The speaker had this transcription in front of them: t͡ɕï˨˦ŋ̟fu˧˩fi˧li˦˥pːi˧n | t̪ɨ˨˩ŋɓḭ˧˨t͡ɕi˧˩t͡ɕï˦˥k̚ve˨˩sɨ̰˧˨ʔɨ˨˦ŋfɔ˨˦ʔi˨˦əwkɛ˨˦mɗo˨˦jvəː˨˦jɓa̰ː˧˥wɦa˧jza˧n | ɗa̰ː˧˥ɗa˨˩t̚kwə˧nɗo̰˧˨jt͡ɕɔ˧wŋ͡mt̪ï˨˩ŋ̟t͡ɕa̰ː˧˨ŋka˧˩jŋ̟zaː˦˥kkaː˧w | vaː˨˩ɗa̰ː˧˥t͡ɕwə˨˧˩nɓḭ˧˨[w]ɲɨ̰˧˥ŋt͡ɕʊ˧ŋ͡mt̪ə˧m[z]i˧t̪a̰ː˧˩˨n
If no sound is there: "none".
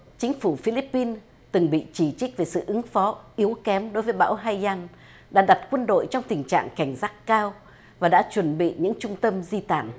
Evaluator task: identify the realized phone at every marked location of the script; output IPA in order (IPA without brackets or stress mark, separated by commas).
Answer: none, z